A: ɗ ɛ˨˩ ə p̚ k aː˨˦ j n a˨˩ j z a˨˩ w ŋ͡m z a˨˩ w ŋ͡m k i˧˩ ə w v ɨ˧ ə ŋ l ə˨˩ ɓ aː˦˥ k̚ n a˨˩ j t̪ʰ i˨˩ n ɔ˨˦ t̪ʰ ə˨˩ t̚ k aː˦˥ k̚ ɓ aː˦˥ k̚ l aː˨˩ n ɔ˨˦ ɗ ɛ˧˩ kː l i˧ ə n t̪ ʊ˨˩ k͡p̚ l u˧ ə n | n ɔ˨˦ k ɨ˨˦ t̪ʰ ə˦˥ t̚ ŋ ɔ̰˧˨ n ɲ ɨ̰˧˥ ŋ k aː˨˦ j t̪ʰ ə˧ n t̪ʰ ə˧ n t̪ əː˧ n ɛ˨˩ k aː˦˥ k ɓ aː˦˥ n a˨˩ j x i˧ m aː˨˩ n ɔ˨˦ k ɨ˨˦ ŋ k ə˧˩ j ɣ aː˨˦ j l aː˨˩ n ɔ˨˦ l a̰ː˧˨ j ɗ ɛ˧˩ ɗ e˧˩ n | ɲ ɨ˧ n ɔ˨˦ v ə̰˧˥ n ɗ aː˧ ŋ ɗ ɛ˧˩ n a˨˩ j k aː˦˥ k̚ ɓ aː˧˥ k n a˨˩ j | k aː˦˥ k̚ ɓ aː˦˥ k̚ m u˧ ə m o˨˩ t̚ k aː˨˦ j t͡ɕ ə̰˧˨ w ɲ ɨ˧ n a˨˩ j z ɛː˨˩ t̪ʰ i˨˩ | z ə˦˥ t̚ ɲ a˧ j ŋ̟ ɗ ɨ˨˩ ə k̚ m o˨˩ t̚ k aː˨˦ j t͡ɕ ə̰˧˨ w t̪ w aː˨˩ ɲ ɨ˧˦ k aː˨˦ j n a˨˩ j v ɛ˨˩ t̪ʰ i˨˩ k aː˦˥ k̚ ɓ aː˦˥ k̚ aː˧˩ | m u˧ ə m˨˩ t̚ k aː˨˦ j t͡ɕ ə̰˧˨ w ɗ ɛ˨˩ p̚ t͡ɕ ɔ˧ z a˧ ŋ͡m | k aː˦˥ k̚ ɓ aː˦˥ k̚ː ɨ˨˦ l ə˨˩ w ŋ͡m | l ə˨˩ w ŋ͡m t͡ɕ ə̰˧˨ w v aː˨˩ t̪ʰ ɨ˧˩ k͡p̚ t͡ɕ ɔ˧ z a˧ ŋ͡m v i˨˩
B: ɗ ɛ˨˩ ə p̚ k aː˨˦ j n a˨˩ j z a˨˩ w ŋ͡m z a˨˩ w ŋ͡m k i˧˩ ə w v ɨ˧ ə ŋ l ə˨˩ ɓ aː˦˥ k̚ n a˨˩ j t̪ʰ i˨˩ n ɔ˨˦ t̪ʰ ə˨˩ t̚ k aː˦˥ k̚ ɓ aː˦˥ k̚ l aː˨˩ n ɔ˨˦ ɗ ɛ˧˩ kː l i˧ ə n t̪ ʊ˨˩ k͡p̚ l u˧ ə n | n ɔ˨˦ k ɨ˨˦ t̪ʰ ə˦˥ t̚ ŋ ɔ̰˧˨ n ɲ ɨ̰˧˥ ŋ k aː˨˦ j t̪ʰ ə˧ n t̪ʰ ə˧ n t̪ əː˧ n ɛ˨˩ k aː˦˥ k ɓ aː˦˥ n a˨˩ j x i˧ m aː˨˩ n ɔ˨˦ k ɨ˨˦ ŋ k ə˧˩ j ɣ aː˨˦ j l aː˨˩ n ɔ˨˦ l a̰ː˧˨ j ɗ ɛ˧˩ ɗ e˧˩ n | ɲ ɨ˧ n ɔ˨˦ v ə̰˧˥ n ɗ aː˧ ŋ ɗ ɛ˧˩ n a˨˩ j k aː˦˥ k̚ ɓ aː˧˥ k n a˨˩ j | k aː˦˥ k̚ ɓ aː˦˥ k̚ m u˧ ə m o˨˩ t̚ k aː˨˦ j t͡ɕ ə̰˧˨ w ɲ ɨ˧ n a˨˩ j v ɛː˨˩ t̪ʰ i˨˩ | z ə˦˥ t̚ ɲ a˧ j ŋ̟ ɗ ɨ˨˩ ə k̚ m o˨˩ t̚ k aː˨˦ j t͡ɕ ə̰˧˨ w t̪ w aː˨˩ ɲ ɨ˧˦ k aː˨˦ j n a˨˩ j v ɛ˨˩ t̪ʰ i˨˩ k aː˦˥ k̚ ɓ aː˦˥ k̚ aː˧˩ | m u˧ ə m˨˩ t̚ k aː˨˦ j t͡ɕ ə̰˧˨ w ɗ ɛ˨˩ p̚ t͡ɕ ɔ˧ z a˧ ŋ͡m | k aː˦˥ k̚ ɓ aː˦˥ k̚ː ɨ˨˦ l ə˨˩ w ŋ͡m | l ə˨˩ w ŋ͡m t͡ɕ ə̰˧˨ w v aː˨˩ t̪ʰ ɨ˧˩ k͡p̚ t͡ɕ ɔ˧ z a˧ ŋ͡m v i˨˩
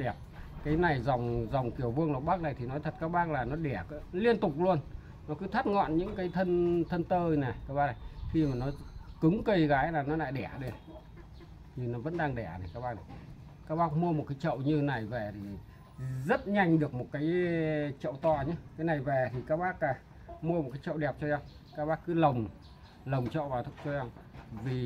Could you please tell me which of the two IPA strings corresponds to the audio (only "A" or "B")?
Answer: B